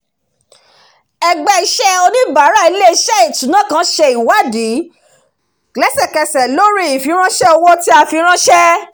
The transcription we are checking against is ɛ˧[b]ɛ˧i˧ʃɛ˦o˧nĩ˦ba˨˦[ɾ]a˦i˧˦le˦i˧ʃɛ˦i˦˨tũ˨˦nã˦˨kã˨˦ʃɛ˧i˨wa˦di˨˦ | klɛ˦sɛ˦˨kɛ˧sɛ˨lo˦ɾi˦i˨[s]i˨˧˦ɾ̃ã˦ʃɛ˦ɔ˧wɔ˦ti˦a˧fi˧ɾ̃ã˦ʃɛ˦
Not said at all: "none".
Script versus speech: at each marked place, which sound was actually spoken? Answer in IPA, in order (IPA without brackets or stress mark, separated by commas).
ɡ͡b, ɾ, f